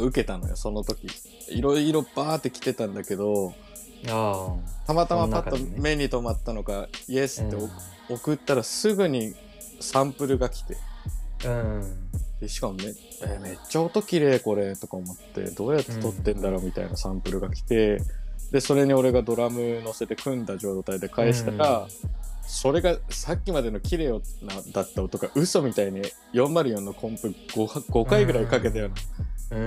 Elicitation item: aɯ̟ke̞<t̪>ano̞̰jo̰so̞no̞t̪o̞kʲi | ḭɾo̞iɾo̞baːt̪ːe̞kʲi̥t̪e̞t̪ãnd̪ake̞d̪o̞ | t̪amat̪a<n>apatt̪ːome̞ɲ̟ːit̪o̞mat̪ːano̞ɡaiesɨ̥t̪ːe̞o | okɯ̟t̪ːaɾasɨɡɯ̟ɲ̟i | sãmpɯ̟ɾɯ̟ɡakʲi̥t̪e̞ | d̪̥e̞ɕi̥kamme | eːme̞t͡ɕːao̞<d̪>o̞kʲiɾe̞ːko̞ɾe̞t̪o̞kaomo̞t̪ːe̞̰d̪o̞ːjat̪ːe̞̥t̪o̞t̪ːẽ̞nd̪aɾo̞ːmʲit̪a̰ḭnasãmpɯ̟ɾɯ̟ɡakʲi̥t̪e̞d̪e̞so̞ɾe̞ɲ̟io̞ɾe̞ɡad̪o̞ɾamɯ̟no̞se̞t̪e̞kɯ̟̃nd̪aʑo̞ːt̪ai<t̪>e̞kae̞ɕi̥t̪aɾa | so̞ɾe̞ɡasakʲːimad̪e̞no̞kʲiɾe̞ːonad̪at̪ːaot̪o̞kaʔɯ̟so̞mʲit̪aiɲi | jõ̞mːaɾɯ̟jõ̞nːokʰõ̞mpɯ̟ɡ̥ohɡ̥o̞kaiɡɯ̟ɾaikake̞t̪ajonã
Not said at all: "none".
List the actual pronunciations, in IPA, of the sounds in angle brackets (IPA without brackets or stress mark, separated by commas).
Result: t̪, m, t̪, d̪